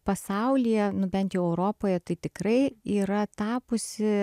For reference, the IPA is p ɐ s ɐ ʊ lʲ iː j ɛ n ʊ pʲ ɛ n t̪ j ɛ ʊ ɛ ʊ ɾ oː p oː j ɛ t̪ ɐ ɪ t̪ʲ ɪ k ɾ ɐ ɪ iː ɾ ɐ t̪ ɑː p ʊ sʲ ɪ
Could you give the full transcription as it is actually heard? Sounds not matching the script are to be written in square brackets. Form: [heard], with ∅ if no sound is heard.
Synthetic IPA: p ɐ s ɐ ʊ lʲ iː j ɛ n ʊ [bʲ] ɛ n t̪ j ɛ ʊ ɛ ʊ ɾ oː p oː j ɛ t̪ ɐ ɪ t̪ʲ ɪ k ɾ ɐ ɪ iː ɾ ɐ t̪ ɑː p ʊ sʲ ɪ